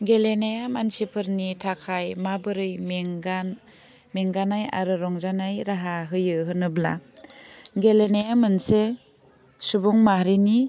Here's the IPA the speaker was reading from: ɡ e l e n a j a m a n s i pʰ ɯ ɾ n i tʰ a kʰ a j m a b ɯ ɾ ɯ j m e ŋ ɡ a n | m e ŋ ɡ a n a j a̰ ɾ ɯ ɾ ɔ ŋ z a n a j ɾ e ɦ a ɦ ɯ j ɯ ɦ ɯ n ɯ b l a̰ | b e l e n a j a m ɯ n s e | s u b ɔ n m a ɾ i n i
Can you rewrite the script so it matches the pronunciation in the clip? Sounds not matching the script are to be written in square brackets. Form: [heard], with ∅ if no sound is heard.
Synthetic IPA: ɡ e l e n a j a m a n s i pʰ ɯ ɾ n i tʰ a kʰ a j m a b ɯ ɾ ɯ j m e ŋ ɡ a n | m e ŋ ɡ a n a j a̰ ɾ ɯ ɾ ɔ ŋ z a n a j ɾ [a] ɦ a ɦ ɯ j ɯ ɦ ɯ n ɯ b l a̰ | [ɡ] e l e n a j a m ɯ n s e | s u b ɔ [ŋ] m a ɾ i n i

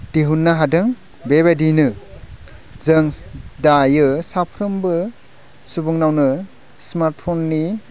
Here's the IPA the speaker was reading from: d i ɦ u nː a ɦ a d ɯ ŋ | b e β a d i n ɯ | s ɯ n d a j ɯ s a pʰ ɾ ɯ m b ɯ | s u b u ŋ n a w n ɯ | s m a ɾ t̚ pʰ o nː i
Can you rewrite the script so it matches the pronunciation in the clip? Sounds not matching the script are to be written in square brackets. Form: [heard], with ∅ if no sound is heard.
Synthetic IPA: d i ɦ u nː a ɦ a d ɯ ŋ | b e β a d i n ɯ | [z] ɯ [ŋ] d a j ɯ s a pʰ ɾ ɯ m b ɯ | s u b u ŋ n a w n ɯ | s m a ɾ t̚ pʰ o nː i

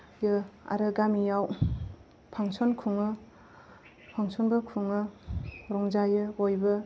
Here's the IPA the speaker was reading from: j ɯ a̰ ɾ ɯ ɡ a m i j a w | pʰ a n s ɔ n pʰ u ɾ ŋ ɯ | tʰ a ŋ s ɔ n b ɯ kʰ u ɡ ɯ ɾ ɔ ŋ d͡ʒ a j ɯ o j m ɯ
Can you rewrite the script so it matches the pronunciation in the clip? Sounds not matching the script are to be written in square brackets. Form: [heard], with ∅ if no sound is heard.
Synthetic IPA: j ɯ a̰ ɾ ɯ ɡ a m i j a w | pʰ a [ŋ] s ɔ n [kʰ] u [∅] ŋ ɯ | [pʰ] a ŋ s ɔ n b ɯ kʰ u [ŋ] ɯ ɾ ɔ ŋ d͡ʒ a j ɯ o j [b] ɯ

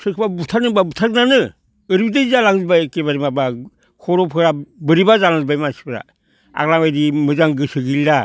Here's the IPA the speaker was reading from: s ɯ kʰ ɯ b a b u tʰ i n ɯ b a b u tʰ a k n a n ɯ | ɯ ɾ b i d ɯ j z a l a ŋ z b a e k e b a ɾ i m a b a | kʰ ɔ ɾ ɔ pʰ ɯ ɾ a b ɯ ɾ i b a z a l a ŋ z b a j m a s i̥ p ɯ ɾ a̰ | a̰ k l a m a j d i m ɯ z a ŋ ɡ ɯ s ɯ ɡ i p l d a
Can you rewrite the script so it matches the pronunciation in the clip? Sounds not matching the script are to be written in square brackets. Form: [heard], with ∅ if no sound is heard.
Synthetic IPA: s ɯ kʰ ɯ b a b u tʰ [a] n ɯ b a b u tʰ a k n a n ɯ | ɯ ɾ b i d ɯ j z a l a ŋ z b a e k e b a ɾ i m a b a | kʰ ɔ ɾ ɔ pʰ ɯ ɾ a b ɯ ɾ i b a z a l a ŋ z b a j m a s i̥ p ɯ ɾ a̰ | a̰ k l a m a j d i m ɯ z a ŋ ɡ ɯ s ɯ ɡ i [∅] l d a

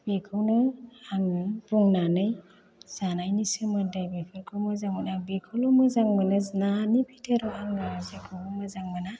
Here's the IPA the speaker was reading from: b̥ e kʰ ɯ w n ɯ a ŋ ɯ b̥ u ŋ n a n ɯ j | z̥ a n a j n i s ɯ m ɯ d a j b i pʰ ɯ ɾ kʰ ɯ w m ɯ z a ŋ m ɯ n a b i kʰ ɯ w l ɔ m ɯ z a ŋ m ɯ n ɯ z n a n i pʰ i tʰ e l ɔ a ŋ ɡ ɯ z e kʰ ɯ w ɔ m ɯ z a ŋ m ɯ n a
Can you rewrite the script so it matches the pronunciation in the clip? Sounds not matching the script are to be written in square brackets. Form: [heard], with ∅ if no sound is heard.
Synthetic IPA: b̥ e kʰ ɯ w n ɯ a ŋ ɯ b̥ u ŋ n a n ɯ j | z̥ a n a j n i s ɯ m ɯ d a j b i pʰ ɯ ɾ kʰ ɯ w m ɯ z a ŋ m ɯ n a b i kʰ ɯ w l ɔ m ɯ z a ŋ m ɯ n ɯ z n a n i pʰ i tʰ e [ɾ] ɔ a ŋ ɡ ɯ z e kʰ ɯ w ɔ m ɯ z a ŋ m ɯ n a

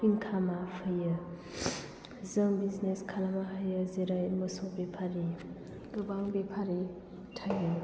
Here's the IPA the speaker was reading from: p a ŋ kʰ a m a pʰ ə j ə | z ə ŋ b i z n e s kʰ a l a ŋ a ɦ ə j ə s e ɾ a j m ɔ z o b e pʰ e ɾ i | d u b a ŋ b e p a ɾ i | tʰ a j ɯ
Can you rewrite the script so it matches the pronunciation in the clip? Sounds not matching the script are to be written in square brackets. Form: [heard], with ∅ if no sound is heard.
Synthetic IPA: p [i] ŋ kʰ a m a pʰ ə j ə | z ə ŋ b i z n e s kʰ a l a [m] a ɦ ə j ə [z] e ɾ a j m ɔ [s] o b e pʰ [a] ɾ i | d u b a ŋ b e [pʰ] a ɾ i | tʰ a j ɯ

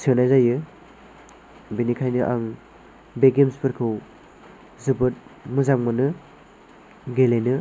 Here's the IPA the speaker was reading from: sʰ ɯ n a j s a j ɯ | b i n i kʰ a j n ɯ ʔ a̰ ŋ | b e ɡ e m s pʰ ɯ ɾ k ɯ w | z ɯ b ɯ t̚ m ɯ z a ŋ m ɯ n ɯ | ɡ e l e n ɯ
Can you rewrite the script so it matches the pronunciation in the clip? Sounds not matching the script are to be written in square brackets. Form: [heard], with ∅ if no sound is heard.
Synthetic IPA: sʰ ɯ n a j [z] a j ɯ | b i n i kʰ a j n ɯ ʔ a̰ ŋ | b e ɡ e m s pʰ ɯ ɾ [kʰ] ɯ w | z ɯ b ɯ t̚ m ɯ z a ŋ m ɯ n ɯ | ɡ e l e n ɯ

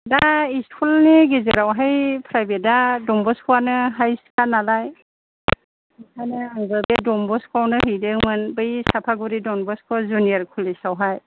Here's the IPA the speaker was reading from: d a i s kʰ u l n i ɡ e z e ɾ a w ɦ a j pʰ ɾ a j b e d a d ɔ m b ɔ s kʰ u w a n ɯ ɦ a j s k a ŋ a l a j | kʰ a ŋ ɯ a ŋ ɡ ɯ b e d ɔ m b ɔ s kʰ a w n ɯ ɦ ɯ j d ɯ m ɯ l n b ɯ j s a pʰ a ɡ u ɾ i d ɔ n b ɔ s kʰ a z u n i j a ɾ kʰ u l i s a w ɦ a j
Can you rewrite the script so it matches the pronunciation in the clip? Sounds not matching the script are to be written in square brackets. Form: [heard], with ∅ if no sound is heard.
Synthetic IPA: d a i s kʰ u l n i ɡ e z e ɾ a w ɦ a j pʰ ɾ a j b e d a d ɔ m b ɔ s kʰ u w a n ɯ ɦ a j s k a [n] a l a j | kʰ a [n] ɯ a ŋ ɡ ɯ b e d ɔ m b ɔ s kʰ a w n ɯ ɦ ɯ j d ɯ m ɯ [∅] n b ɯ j s a pʰ a ɡ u ɾ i d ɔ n b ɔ s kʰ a z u n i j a ɾ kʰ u l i s a w ɦ a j

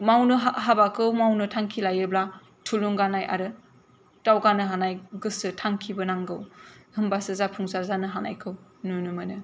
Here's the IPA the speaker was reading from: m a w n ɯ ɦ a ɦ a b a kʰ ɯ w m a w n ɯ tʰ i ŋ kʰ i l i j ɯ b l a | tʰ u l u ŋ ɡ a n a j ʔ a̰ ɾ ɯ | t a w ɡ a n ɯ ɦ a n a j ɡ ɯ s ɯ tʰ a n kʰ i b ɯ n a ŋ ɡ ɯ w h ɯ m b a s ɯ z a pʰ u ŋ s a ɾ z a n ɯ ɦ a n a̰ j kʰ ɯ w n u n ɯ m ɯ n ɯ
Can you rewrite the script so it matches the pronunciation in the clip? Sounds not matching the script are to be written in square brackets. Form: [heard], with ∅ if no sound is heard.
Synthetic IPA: m a w n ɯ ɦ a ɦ a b a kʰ ɯ w m a w n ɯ tʰ [a] ŋ kʰ i l [a] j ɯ b l a | tʰ u l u ŋ ɡ a n a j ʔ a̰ ɾ ɯ | t a w ɡ a n ɯ ɦ a n a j ɡ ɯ s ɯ tʰ a [ŋ] kʰ i b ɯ n a ŋ ɡ ɯ w h ɯ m b a s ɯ z a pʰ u ŋ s a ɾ z a n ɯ ɦ a n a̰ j kʰ ɯ w n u n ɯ m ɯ n ɯ

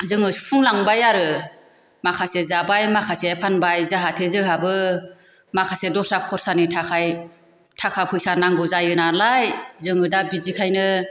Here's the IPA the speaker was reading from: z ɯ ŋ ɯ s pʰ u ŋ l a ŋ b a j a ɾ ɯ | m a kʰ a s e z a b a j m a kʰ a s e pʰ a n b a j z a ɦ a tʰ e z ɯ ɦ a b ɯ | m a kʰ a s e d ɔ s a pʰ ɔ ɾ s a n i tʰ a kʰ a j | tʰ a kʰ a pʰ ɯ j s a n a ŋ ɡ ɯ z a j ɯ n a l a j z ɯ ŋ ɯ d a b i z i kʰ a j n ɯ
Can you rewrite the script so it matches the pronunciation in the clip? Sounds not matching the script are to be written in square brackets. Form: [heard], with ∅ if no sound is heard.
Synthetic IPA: z ɯ ŋ ɯ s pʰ u ŋ l a ŋ b a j a ɾ ɯ | m a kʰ a s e z a b a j m a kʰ a s e pʰ a n b a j z a ɦ a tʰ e z ɯ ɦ a b ɯ | m a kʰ a s e d ɔ s a [kʰ] ɔ ɾ s a n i tʰ a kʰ a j | tʰ a kʰ a pʰ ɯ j s a n a ŋ ɡ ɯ z a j ɯ n a l a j z ɯ ŋ ɯ d a b i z i kʰ a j n ɯ

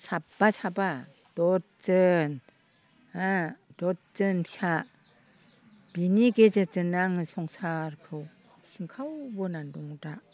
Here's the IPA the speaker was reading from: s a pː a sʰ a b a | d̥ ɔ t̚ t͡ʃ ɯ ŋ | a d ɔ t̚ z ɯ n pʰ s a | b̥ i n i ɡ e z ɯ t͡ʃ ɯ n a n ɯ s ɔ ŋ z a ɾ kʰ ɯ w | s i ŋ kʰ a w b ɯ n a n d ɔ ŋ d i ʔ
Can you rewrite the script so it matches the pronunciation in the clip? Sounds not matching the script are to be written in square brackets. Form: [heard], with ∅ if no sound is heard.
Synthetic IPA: s a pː a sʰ a b a | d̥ ɔ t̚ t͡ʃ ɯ [n] | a d ɔ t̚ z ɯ n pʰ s a | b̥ i n i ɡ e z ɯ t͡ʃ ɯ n a [ŋ] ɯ s ɔ ŋ [s] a ɾ kʰ ɯ w | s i ŋ kʰ a w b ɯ n a n d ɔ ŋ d [a] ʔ

